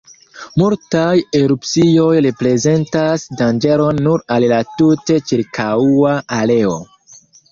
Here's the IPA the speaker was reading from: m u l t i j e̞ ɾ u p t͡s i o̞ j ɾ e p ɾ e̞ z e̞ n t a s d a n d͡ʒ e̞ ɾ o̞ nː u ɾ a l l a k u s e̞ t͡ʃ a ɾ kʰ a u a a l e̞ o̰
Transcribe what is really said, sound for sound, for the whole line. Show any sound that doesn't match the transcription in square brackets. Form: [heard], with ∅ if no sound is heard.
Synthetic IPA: m u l t [a] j e̞ ɾ u p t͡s i o̞ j ɾ e p ɾ e̞ z e̞ n t a s d a n d͡ʒ e̞ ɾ o̞ nː u ɾ a l l a [t] u [t] e̞ t͡ʃ [i] ɾ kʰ a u a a l e̞ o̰